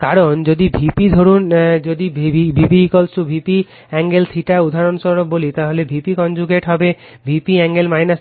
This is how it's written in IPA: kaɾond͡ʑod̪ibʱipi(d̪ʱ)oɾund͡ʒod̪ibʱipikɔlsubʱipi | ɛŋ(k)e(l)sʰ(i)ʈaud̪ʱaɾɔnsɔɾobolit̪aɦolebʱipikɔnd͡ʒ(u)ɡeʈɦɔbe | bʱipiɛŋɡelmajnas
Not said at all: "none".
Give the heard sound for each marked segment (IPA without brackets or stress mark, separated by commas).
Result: d̪ʱ, ɡ, l, i, u